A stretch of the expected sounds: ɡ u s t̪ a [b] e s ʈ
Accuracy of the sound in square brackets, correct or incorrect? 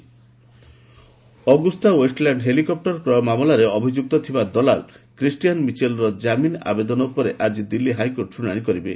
incorrect: w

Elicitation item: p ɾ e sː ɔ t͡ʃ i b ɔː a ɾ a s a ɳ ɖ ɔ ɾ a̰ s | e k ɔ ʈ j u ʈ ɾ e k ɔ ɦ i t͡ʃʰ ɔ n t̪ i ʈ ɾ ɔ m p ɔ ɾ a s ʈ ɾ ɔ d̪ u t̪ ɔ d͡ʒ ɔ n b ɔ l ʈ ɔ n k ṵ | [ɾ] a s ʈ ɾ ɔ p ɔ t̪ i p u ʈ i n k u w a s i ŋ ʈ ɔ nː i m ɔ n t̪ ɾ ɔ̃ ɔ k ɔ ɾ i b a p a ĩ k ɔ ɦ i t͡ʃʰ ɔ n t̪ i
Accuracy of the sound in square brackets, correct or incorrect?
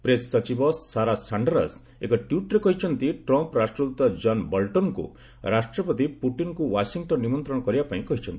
correct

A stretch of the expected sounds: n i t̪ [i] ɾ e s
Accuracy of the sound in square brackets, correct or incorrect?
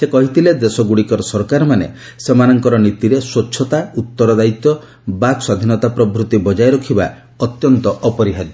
correct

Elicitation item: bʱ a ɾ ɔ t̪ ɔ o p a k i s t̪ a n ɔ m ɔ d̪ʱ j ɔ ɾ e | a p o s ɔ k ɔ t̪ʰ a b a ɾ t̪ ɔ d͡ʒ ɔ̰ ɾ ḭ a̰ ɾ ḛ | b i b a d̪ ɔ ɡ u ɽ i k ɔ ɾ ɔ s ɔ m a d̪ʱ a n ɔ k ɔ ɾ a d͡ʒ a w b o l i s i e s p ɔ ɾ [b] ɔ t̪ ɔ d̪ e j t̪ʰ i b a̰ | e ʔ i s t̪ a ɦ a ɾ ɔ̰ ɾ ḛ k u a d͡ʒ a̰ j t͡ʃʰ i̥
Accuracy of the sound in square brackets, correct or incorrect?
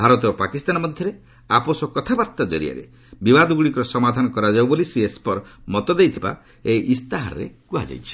incorrect: m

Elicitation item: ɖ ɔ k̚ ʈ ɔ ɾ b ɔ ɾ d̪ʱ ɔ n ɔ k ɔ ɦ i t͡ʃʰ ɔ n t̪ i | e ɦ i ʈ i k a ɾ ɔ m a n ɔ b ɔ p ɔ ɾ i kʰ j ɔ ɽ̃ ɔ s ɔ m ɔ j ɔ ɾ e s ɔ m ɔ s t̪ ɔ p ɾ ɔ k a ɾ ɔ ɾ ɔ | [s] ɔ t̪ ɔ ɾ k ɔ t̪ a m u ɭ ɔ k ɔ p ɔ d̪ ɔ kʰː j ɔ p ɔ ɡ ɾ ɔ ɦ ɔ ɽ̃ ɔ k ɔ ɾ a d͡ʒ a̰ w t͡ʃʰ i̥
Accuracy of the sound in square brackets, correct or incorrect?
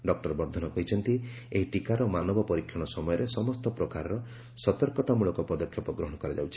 correct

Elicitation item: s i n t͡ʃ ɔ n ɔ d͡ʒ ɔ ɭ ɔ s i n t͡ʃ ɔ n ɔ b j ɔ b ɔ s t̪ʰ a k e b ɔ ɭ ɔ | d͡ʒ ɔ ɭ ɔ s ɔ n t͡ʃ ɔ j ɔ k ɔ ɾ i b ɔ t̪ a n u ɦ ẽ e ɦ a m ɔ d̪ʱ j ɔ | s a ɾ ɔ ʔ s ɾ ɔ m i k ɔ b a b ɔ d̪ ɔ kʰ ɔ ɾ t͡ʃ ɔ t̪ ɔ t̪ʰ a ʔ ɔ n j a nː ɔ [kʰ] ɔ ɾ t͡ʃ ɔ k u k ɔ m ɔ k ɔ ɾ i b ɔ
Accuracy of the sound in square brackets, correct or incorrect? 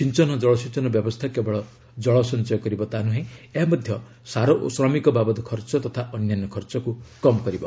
correct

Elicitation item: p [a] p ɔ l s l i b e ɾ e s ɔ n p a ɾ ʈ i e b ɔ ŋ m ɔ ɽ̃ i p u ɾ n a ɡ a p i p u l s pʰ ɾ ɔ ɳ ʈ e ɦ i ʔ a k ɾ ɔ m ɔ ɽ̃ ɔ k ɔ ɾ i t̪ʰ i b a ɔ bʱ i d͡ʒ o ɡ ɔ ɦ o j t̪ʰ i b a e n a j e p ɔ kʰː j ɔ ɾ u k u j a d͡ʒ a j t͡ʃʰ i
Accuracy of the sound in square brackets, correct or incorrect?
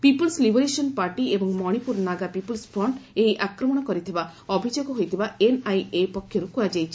incorrect: i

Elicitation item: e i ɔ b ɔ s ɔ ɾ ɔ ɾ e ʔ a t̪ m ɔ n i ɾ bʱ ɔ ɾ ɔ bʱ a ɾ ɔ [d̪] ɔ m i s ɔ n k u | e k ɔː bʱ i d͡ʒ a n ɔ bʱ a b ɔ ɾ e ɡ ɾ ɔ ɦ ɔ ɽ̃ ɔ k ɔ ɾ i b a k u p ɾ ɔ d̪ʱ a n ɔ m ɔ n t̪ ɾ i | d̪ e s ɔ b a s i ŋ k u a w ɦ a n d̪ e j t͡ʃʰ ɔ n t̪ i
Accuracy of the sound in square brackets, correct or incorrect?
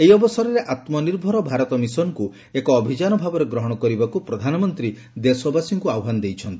incorrect: t̪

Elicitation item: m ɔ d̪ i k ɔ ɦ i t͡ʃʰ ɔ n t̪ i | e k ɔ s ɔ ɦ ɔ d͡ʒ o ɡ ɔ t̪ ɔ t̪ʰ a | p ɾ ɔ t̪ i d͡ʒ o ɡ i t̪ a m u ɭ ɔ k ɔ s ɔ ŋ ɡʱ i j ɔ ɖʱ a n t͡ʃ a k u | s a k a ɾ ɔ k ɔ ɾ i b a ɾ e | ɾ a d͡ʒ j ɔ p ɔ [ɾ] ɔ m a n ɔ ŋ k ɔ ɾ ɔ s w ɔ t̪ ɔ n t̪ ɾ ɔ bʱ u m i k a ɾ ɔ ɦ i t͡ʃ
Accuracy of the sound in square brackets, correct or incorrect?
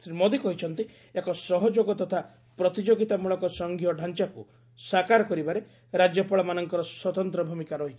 incorrect: ɭ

